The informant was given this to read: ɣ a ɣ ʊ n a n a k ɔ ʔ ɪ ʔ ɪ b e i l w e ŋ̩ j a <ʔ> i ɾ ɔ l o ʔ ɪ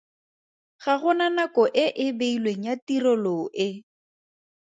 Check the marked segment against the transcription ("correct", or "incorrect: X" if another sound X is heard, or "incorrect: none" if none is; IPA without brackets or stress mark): incorrect: t